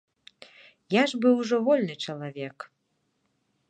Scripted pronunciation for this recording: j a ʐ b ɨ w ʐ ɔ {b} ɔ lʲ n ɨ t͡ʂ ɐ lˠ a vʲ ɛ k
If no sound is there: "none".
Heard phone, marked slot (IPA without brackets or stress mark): v